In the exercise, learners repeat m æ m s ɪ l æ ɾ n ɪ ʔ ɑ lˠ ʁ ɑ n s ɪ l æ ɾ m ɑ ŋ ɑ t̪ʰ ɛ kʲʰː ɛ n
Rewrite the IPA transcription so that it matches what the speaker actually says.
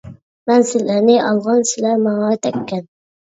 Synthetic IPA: m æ n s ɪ l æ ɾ n ɪ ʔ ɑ lˠ ʁ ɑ n s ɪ l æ ɾ m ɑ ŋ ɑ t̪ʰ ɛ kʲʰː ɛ n